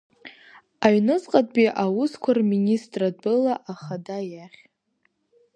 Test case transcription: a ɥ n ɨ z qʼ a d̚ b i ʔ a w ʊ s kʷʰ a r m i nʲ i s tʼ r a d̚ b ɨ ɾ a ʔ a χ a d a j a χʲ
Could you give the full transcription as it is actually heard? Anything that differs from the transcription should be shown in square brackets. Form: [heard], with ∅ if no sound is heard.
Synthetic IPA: a ɥ n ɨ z qʼ a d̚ b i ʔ a w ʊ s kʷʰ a r m i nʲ i s tʼ r a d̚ b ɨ [l] a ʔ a χ a d a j a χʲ